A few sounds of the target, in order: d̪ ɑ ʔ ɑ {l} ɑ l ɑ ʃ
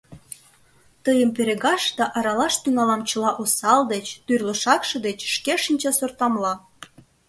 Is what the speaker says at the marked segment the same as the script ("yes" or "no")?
no